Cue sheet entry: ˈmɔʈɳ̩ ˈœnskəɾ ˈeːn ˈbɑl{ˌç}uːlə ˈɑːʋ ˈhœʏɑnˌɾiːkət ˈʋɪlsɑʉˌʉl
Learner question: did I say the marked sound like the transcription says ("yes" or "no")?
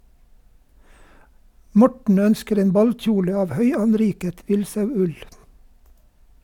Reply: no